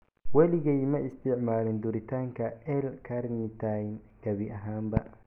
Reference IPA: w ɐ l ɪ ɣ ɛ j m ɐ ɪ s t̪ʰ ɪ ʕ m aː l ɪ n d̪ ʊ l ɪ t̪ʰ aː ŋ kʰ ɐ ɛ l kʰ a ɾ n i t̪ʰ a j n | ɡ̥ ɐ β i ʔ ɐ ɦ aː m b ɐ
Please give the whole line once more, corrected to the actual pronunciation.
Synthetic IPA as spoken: w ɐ l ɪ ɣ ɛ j m ɐ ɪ s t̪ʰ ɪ ʕ m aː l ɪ n d̪ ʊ ɾ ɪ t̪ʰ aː ŋ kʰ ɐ ɛ l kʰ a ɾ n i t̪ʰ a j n | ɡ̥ ɐ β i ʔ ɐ ɦ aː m b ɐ